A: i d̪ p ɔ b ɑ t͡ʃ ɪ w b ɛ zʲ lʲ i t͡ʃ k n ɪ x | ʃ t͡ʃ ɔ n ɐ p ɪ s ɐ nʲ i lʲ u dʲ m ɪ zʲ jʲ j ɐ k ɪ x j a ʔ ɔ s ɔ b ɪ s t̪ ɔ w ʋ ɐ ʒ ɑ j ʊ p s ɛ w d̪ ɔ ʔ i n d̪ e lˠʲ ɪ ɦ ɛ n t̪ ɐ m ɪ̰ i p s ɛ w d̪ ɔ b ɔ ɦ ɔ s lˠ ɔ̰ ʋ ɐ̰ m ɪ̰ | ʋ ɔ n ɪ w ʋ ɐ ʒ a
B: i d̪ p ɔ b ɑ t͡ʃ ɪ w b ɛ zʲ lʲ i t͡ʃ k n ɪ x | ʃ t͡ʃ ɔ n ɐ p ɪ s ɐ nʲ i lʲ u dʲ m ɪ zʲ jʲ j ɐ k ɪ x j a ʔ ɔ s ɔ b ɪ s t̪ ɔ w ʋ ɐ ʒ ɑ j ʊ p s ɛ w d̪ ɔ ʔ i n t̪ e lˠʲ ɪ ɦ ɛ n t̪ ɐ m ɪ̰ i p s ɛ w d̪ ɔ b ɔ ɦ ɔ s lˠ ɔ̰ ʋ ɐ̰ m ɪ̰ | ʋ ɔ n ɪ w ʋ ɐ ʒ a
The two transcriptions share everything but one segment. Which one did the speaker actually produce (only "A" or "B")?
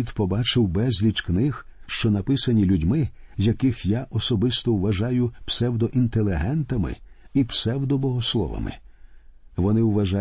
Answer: B